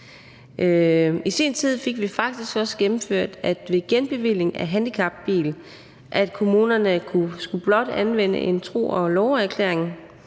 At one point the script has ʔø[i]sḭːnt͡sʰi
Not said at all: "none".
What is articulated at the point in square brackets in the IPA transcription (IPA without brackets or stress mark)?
i